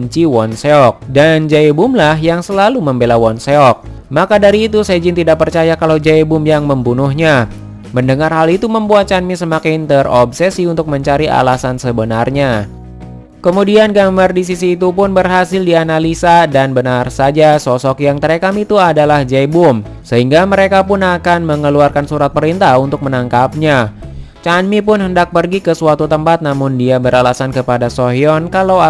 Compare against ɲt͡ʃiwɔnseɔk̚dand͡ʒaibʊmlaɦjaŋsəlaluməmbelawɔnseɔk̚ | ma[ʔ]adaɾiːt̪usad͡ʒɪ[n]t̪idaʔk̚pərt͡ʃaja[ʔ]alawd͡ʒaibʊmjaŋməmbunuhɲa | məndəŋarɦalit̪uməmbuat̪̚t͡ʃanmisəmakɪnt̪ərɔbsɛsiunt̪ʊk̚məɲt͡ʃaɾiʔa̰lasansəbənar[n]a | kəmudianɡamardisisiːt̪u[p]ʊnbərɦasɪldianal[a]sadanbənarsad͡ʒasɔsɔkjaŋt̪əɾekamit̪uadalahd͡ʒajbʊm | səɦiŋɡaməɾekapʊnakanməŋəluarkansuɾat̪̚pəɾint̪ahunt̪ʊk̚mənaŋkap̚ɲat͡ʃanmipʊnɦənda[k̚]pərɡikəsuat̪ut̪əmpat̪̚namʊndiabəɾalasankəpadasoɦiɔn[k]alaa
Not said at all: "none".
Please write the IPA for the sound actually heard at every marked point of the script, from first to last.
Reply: k, n, k, ɲ, p, i, k̚, k

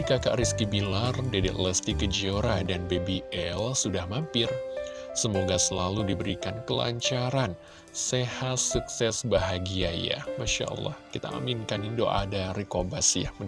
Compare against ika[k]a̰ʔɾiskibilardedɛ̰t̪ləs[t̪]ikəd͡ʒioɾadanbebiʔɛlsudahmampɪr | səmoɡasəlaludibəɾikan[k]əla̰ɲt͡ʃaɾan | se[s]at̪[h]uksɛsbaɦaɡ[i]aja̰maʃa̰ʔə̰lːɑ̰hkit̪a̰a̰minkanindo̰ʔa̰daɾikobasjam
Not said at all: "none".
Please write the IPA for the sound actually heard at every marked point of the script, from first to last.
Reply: k, t̪, k, h, s, i

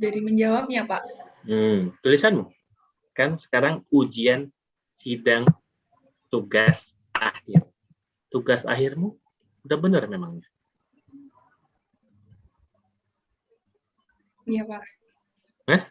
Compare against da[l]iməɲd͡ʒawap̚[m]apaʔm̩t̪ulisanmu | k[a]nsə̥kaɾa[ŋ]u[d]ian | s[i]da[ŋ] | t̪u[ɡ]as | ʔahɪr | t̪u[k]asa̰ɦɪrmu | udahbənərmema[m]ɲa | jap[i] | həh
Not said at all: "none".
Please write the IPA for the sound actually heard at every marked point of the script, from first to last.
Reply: ɾ, ɲ, a, ŋ, d͡ʒ, i, ŋ, ɡ, ɡ, ŋ, a

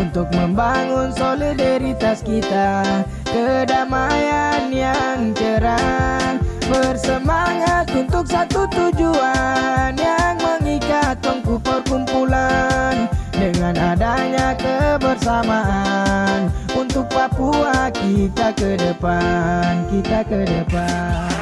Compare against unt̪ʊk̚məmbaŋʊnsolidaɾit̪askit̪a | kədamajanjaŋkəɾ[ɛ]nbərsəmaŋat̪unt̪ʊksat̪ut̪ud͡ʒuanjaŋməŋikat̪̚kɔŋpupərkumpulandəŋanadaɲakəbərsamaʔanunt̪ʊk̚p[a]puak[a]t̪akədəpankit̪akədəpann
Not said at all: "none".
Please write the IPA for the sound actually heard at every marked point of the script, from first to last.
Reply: a, a, i

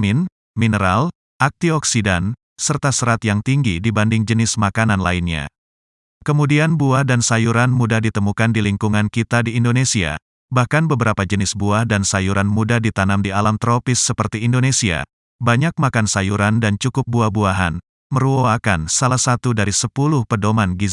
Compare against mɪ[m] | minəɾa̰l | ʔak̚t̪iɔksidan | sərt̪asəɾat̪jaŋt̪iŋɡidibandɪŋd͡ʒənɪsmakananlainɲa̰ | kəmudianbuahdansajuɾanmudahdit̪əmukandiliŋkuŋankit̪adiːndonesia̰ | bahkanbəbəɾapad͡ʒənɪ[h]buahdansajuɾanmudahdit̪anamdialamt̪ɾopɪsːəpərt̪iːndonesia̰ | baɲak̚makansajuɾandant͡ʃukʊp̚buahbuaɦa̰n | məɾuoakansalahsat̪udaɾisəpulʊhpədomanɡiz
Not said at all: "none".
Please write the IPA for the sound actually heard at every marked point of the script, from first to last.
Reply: n, s

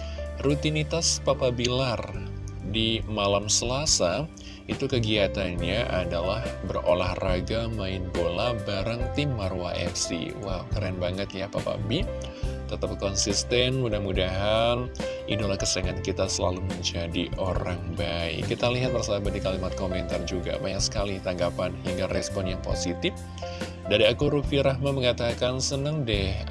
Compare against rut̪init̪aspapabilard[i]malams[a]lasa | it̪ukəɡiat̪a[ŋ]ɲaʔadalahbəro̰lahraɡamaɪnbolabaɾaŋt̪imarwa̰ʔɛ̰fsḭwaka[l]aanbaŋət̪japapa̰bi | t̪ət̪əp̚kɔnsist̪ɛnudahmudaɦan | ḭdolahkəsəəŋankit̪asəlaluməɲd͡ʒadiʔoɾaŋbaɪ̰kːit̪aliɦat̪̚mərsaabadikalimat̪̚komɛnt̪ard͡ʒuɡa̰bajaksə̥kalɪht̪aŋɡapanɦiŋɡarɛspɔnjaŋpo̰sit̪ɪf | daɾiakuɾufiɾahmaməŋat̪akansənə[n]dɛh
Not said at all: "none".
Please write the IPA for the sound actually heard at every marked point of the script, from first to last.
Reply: i, ə, n, ɾ, ŋ

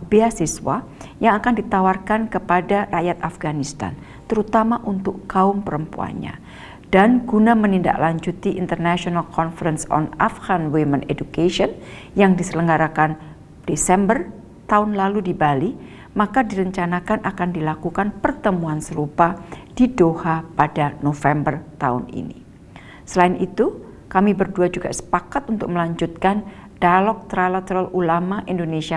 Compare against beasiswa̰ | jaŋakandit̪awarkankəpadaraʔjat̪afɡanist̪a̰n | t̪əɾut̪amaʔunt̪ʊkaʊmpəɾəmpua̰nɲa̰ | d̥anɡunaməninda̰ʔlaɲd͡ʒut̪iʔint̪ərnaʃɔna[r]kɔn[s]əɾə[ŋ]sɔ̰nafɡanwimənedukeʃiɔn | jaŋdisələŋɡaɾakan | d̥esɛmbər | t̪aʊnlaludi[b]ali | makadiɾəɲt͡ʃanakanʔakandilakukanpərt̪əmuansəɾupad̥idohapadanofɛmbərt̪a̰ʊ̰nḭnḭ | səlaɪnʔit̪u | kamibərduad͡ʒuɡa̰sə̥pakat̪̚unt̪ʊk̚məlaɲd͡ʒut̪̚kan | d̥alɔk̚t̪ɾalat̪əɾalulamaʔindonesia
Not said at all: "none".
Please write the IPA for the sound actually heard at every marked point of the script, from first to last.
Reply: l, f, n, b

